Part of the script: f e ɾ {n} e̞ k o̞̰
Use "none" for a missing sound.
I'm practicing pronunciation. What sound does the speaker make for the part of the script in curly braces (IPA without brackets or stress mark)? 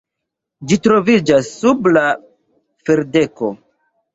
d